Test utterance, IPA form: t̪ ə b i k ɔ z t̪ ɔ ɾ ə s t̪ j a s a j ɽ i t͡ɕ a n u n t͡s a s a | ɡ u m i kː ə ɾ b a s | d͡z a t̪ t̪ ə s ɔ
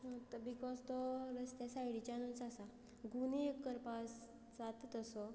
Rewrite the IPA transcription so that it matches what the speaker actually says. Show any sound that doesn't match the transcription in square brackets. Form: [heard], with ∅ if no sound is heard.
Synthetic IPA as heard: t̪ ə b i k ɔ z t̪ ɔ ɾ ə s t̪ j a s a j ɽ i t͡ɕ a n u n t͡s a s a | ɡ u [n] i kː ə ɾ [p] a s | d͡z a t̪ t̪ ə s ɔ